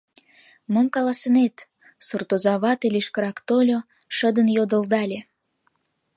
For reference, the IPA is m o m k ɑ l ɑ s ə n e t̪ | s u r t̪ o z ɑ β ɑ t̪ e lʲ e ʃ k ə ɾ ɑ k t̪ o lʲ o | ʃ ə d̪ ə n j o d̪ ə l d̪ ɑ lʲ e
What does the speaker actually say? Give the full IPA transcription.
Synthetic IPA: m o m k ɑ l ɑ s ə n e t̪ | s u r t̪ o z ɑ β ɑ t̪ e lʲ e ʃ k ə ɾ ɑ k t̪ o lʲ o | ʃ ə d̪ ə n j o d̪ ə l d̪ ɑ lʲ e